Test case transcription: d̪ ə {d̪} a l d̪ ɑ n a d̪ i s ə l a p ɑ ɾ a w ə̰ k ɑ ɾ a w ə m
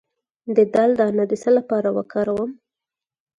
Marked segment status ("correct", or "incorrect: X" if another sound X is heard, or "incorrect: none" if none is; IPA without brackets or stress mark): correct